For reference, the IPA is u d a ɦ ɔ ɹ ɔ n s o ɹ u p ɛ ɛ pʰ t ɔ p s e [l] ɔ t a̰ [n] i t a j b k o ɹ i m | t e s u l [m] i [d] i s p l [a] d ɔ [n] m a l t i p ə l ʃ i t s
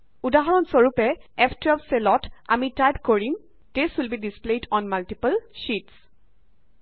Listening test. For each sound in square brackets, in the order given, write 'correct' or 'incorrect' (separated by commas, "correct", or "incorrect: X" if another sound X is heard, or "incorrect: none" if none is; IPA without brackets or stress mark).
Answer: correct, incorrect: m, incorrect: b, correct, incorrect: e, correct